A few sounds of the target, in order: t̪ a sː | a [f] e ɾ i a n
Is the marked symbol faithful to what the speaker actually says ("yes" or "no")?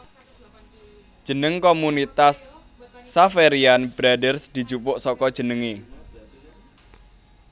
yes